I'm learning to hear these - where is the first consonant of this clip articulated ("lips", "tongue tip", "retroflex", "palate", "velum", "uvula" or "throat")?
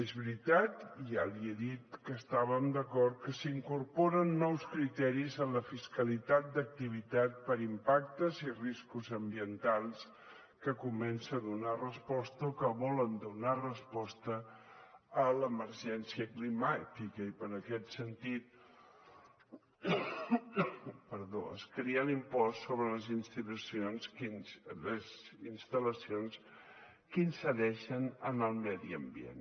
tongue tip